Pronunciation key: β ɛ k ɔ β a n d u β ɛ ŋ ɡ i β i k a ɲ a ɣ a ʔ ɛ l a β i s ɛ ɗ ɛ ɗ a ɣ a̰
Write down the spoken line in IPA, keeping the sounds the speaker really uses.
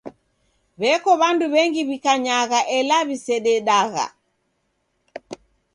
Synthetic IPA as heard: β ɛ k ɔ β a n d u β ɛ ŋ ɡ i β i k a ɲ a ɣ a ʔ ɛ l a β i s ɛ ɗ ɛ ɗ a ɣ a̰